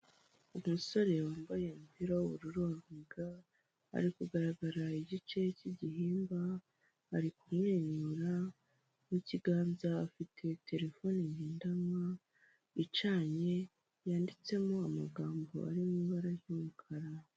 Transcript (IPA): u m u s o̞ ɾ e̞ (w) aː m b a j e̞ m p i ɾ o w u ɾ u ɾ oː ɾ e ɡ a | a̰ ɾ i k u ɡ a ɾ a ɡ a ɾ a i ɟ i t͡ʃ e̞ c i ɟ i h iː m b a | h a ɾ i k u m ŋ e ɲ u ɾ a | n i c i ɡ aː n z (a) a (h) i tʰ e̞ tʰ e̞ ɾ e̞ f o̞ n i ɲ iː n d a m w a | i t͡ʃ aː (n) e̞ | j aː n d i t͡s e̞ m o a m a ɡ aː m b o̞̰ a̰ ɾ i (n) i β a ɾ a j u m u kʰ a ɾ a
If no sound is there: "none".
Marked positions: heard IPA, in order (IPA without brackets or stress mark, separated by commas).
w, a, f, ɲ, m